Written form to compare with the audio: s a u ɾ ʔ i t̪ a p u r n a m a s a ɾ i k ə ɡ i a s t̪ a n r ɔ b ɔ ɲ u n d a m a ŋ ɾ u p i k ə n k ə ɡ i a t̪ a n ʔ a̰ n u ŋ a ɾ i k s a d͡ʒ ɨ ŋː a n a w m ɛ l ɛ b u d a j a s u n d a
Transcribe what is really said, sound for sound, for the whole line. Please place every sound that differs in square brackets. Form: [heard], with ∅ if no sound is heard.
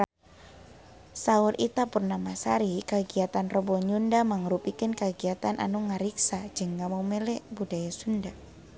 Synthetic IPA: s a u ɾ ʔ i t̪ a p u r n a m a s a ɾ i k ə ɡ i a [∅] t̪ a n r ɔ b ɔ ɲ u n d a m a ŋ ɾ u p i k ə n k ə ɡ i a t̪ a n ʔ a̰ n u ŋ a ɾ i k s a d͡ʒ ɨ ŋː a [m] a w m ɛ l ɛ b u d a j a s u n d a